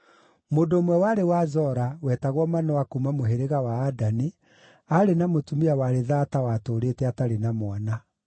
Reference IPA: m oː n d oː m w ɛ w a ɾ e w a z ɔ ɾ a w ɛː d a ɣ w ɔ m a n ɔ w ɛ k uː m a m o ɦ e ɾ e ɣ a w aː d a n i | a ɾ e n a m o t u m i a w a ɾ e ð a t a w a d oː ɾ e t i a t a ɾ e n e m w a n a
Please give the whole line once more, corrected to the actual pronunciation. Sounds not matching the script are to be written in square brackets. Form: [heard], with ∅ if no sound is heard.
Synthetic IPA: m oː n d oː m w ɛ w a ɾ e w a z ɔ ɾ a w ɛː [t] a ɣ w ɔ m a n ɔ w [a] k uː m a m o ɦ e ɾ e ɣ a w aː d a n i | a ɾ e n a m o t u m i a w a ɾ e ð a t a w a [t] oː ɾ e t [ɛ] a t a ɾ e n [a] m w a n a